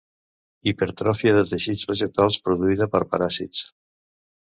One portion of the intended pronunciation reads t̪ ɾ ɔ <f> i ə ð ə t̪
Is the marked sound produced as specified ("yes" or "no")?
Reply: yes